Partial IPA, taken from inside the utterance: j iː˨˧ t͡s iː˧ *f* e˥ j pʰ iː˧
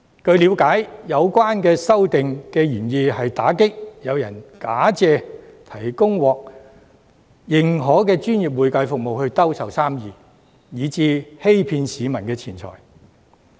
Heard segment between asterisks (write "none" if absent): h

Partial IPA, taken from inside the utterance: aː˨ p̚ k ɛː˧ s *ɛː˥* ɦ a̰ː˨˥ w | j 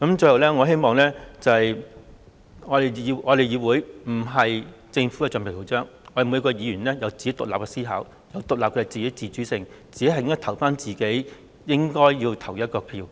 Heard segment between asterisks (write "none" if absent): iː˥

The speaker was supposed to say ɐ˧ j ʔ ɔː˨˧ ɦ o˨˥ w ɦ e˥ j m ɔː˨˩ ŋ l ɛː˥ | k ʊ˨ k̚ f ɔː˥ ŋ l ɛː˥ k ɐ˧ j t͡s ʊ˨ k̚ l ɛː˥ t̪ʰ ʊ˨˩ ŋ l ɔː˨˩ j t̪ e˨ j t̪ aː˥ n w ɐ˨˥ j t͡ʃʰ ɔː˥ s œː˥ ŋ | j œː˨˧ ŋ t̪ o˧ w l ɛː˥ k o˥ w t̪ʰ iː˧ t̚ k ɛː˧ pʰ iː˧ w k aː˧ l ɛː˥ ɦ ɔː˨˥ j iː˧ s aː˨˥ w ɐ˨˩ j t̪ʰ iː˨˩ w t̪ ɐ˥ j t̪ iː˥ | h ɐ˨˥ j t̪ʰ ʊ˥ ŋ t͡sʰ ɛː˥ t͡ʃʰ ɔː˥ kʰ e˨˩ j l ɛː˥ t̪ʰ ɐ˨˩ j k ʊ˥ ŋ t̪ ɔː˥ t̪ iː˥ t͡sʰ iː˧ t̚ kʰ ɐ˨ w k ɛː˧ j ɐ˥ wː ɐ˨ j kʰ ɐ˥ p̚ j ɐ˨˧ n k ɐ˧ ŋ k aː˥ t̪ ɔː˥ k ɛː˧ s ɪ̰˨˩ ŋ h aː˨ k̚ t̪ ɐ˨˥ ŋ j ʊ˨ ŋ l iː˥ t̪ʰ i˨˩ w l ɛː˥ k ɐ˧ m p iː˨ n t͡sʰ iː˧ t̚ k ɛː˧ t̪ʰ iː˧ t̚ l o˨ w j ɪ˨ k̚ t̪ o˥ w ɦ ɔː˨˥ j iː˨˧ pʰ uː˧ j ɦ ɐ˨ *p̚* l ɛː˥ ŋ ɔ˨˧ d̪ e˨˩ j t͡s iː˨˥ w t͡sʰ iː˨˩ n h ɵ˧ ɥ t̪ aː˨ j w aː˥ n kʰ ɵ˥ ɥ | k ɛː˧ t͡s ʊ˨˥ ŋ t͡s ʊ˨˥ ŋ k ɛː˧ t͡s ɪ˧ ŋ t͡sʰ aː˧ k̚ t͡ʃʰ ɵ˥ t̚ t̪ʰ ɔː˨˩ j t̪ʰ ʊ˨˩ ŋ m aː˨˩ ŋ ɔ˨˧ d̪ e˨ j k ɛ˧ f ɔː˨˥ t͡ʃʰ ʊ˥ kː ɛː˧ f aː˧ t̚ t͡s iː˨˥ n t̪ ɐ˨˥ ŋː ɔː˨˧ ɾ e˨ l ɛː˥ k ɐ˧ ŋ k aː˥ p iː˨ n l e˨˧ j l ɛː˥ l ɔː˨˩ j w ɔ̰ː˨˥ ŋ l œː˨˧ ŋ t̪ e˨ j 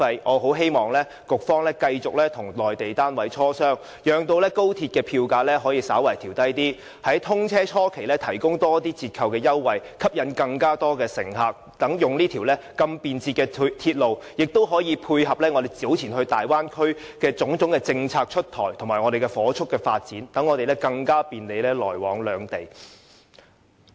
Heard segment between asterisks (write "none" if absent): p̚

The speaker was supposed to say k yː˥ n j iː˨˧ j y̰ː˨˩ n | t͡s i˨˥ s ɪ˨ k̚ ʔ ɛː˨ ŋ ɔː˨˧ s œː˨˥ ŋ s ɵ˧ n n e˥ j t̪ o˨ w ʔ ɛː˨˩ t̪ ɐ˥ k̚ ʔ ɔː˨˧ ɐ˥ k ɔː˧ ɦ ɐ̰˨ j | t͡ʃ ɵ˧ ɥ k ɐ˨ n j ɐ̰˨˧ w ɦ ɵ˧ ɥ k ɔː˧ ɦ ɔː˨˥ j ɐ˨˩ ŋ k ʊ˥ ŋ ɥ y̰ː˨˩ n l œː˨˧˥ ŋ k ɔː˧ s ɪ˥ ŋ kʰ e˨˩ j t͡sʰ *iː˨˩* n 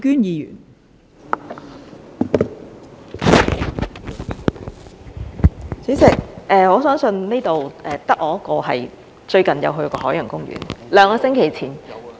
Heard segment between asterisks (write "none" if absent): iː˨˩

